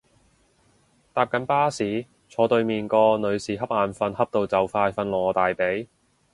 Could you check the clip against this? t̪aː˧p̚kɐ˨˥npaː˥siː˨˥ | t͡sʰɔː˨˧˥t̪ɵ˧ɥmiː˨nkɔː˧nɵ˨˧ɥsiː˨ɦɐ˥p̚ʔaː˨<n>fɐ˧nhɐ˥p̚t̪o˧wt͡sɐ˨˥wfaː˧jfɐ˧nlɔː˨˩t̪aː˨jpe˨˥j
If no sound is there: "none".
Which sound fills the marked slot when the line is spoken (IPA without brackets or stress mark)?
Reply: n